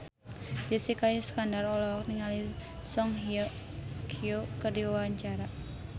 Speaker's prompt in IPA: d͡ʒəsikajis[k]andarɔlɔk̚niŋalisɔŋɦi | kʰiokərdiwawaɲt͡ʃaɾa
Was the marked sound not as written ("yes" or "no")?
no